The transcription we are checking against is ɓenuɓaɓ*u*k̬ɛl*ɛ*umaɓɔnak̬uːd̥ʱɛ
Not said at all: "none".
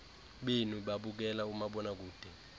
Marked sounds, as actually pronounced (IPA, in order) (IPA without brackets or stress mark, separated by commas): u, a